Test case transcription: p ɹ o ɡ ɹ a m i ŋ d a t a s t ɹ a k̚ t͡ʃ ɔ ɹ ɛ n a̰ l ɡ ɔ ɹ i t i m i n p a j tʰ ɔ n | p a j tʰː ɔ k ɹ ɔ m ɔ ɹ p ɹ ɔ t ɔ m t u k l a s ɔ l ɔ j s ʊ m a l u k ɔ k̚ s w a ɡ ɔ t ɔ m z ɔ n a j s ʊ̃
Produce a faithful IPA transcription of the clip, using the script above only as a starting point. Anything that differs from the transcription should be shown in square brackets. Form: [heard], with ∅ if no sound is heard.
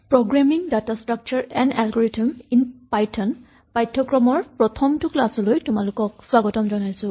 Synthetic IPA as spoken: p ɹ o ɡ ɹ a m i ŋ d a t a s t ɹ a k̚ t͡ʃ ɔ ɹ ɛ n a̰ l ɡ ɔ ɹ i t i m i n p a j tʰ ɔ n | p a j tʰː ɔ k ɹ ɔ m ɔ ɹ p ɹ ɔ [tʰ] ɔ m t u k l a s ɔ l [o] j [t] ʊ m a l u k ɔ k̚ s w a ɡ ɔ t ɔ m z ɔ n a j s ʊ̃